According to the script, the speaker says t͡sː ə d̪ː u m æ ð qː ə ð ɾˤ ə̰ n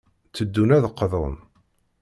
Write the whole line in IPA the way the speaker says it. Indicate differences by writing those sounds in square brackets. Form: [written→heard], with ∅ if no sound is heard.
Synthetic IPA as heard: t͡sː ə d̪ː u [m→n] æ ð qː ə ð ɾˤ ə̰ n